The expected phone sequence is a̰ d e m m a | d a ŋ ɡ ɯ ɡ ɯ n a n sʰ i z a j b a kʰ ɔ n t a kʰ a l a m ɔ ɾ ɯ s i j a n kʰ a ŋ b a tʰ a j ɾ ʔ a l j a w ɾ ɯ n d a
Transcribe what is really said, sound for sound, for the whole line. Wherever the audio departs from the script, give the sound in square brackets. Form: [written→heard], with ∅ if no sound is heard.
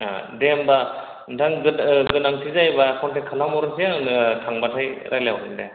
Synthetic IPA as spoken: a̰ d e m [m→b] a | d a ŋ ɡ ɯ ɡ ɯ n a [n→ŋ] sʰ i z a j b a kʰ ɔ n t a kʰ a l a m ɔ ɾ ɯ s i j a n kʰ a ŋ b a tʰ a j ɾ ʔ a l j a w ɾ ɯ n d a